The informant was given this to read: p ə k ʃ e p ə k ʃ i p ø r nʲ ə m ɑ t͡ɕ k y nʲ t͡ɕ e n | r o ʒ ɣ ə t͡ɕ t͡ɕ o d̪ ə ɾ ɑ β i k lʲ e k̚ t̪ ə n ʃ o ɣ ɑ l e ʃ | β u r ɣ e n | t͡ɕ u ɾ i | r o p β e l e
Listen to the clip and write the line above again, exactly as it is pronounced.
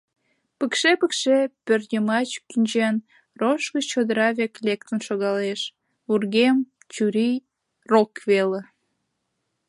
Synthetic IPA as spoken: p ə k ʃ e p ə k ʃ e p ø r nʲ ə m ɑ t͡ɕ k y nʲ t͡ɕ e n | r o ʃ ɣ ə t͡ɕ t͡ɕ o d̪ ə ɾ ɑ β e k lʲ e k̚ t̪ ə n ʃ o ɣ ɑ l e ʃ | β u r ɣ e m | t͡ɕ u ɾ i | r o k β e l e